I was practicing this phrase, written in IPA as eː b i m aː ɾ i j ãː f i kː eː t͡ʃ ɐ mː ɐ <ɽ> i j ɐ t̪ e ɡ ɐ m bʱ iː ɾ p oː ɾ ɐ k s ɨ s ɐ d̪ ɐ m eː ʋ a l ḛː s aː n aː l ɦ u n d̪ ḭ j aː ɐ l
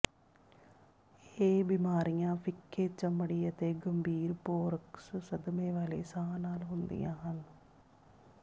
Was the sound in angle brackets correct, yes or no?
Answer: yes